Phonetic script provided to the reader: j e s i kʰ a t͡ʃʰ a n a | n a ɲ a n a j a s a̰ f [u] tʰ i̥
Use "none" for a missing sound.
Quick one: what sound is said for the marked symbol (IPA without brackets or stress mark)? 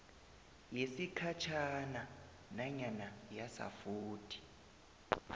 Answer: uː